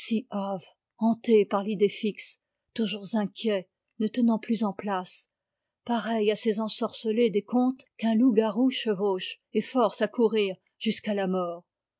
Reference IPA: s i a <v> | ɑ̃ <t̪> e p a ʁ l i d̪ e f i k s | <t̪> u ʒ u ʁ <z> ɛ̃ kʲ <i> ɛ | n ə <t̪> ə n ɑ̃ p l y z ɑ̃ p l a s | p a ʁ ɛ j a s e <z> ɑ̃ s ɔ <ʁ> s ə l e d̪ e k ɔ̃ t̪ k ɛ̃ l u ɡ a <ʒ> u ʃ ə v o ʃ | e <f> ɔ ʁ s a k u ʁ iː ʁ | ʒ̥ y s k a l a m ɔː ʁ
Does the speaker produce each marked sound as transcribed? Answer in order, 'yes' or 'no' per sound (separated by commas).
yes, yes, yes, yes, no, yes, yes, yes, no, yes